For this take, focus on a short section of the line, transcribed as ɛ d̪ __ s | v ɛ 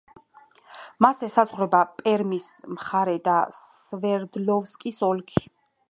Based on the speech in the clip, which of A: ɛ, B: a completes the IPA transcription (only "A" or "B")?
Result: B